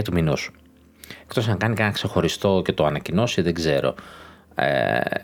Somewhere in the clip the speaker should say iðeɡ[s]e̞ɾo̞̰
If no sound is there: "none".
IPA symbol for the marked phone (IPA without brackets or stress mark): z